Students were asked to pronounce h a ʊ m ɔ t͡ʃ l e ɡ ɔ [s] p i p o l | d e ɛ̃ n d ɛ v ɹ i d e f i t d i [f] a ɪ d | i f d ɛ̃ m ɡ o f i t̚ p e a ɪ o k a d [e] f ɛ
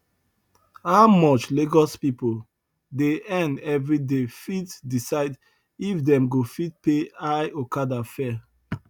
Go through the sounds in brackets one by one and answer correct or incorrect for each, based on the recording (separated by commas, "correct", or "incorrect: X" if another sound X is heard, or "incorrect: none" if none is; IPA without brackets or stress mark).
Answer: correct, incorrect: s, incorrect: a